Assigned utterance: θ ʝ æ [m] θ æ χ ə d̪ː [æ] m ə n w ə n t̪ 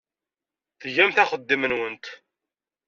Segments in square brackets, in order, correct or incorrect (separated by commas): correct, incorrect